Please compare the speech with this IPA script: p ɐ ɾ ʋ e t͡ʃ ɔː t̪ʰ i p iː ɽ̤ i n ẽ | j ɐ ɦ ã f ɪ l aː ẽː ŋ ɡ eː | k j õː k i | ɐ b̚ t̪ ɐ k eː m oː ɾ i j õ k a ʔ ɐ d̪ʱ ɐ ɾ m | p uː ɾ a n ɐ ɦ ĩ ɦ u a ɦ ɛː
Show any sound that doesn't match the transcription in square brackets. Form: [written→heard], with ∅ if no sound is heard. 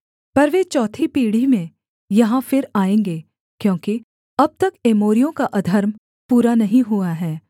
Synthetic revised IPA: p ɐ ɾ ʋ e t͡ʃ ɔː t̪ʰ i p iː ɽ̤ i [n→m] ẽ | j ɐ ɦ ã f ɪ [l→ɾ] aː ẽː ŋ ɡ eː | k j õː k i | ɐ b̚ t̪ ɐ k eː m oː ɾ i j õ k a ʔ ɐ d̪ʱ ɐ ɾ m | p uː ɾ a n ɐ ɦ ĩ ɦ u a ɦ ɛː

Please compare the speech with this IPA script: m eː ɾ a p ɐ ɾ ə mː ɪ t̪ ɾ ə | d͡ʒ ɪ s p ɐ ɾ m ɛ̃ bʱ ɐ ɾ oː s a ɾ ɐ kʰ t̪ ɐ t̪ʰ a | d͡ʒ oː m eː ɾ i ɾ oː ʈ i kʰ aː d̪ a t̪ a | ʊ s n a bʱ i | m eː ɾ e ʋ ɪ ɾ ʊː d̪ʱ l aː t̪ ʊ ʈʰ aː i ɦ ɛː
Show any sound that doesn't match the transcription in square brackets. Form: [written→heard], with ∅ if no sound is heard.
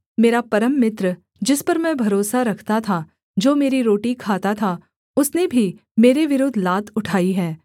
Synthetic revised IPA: m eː ɾ a p ɐ ɾ ə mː ɪ t̪ ɾ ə | d͡ʒ ɪ s p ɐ ɾ m ɛ̃ bʱ ɐ ɾ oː s a ɾ ɐ kʰ t̪ [ɐ→a] t̪ʰ a | d͡ʒ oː m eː ɾ i ɾ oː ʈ i kʰ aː [d̪→t̪] a [t̪→t̪ʰ] a | ʊ s n [a→e] bʱ i | m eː ɾ e ʋ ɪ ɾ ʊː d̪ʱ l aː t̪ ʊ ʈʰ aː i ɦ ɛː

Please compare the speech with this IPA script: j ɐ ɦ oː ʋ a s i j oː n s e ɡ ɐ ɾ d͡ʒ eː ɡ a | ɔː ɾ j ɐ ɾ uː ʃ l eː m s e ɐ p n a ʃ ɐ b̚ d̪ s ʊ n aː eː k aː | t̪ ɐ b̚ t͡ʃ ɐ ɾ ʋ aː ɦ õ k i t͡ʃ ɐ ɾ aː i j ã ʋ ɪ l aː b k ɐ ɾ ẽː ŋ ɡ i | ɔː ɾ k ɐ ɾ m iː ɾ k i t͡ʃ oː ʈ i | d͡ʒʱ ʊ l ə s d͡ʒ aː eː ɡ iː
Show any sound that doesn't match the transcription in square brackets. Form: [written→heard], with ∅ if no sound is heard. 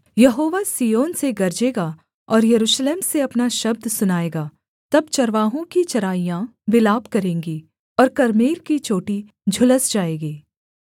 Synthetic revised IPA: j ɐ ɦ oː ʋ a s i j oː n s e ɡ ɐ ɾ d͡ʒ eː ɡ a | ɔː ɾ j ɐ ɾ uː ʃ l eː m s e ɐ p n a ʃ ɐ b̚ d̪ s ʊ n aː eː [k→ɡ] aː | t̪ ɐ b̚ t͡ʃ ɐ ɾ ʋ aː ɦ õ k i t͡ʃ ɐ ɾ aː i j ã ʋ ɪ l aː b k ɐ ɾ ẽː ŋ ɡ i | ɔː ɾ k ɐ ɾ m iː ɾ k i t͡ʃ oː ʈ i | d͡ʒʱ ʊ l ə s d͡ʒ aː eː ɡ iː

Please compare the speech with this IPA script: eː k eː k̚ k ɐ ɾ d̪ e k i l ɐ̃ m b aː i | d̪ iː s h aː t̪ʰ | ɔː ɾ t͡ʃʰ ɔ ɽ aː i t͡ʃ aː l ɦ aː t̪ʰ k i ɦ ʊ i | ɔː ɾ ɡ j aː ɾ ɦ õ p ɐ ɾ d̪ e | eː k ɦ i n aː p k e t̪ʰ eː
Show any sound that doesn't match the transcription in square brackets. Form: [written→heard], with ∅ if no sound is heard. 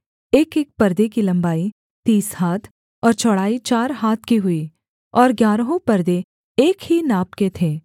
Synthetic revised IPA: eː k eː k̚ [k→p] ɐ ɾ d̪ e k i l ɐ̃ m b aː i | [d̪→t̪] iː s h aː t̪ʰ | ɔː ɾ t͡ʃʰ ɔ ɽ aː i t͡ʃ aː [l→ɾ] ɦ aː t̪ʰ k i ɦ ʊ i | ɔː ɾ ɡ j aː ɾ ɦ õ p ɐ ɾ d̪ e | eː k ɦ i n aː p k e t̪ʰ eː

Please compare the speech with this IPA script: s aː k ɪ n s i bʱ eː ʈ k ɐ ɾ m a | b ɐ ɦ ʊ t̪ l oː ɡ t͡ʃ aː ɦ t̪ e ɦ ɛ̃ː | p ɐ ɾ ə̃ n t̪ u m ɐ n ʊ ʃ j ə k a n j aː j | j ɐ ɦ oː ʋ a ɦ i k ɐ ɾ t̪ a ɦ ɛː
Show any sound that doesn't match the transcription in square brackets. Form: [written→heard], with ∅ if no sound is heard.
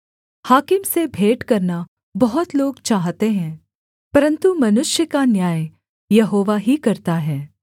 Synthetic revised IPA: [s→h] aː k ɪ [n→m] s [i→e] bʱ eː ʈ k ɐ ɾ [m→n] a | b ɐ ɦ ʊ t̪ l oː ɡ t͡ʃ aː ɦ t̪ e ɦ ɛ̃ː | p ɐ ɾ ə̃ n t̪ u m ɐ n ʊ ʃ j ə k a n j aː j | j ɐ ɦ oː ʋ a ɦ i k ɐ ɾ t̪ a ɦ ɛː

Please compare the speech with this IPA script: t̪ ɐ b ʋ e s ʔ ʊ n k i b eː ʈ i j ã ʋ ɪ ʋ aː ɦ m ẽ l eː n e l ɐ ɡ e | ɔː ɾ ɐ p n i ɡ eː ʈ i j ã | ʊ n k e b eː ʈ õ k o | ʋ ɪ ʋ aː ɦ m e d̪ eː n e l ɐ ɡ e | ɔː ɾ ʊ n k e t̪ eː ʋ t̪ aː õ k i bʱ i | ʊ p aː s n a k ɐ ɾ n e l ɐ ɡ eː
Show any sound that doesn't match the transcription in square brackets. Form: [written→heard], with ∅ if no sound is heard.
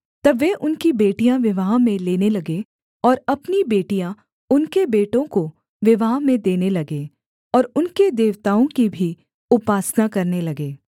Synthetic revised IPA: t̪ ɐ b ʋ e [s→∅] ʔ ʊ n k i b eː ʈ i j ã ʋ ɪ ʋ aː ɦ m ẽ l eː n e l ɐ ɡ e | ɔː ɾ ɐ p n i [ɡ→b] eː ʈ i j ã | ʊ n k e b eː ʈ õ k o | ʋ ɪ ʋ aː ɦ m [e→ẽ] d̪ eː n e l ɐ ɡ e | ɔː ɾ ʊ n k e [t̪→d̪] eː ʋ t̪ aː õ k i bʱ i | ʊ p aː s n a k ɐ ɾ n e l ɐ ɡ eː

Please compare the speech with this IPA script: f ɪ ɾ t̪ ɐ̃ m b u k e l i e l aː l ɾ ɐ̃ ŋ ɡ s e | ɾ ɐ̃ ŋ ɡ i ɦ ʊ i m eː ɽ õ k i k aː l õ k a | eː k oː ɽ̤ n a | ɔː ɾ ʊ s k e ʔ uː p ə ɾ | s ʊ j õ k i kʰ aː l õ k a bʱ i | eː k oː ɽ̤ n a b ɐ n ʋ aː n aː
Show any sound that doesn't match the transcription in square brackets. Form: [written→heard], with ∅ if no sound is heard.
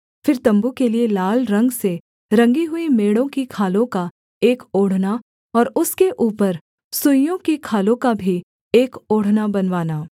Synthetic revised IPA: f ɪ ɾ t̪ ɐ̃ m b u k e l i e l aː l ɾ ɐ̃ ŋ ɡ s e | ɾ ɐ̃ ŋ ɡ i ɦ ʊ i m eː ɽ õ k i [k→kʰ] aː l õ k a | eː k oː ɽ̤ n a | ɔː ɾ ʊ s k e ʔ uː p ə ɾ | s ʊ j õ k i kʰ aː l õ k a bʱ i | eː k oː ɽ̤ n a b ɐ n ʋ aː n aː

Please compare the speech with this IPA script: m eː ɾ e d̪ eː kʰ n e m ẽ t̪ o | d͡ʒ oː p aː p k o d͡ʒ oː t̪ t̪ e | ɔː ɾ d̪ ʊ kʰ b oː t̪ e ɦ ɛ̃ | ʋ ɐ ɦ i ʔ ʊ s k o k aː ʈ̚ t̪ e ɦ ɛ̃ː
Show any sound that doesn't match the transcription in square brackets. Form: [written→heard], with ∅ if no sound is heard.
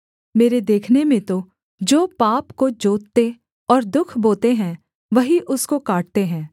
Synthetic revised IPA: m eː ɾ e d̪ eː kʰ n e m ẽ t̪ o | d͡ʒ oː p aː p k o d͡ʒ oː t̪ t̪ e | ɔː ɾ d̪ ʊ kʰ b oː t̪ e ɦ ɛ̃ | ʋ ɐ ɦ i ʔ ʊ s k o k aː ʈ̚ t̪ e ɦ ɛ̃ː

